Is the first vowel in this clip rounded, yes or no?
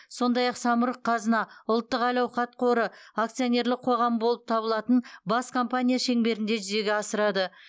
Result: yes